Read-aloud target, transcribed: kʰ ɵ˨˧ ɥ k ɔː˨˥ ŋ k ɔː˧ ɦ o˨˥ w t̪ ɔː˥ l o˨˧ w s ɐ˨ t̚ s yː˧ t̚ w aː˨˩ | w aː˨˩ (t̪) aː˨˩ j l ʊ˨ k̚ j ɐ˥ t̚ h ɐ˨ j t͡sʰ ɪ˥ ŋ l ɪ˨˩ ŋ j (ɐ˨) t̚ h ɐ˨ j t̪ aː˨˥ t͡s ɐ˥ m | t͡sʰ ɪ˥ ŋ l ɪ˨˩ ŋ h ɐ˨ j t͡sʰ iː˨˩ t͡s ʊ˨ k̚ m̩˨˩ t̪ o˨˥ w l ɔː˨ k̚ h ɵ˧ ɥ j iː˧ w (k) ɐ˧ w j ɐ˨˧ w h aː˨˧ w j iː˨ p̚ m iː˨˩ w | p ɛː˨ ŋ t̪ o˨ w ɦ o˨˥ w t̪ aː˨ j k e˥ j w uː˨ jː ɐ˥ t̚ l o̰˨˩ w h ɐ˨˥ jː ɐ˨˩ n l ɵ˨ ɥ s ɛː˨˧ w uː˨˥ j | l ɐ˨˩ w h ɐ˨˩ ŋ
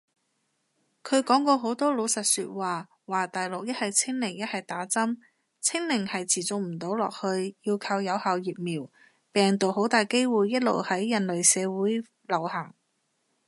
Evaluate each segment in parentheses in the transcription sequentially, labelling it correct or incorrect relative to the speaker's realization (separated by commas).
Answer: correct, incorrect, incorrect